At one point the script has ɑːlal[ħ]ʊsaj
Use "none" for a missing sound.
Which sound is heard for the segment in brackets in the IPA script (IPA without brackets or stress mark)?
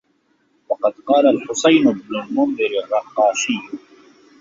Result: ħ